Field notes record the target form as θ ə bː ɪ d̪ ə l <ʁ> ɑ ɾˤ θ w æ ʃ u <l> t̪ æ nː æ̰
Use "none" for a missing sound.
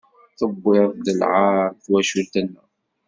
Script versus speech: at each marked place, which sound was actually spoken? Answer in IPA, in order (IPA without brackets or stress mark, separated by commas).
ʕ, l